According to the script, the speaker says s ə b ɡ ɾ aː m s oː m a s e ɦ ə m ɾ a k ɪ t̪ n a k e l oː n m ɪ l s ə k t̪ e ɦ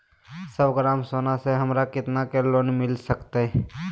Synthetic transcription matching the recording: s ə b ɡ ɾ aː m s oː n a s e ɦ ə m ɾ a k ɪ t̪ n a k e l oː n m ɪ l s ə k t̪ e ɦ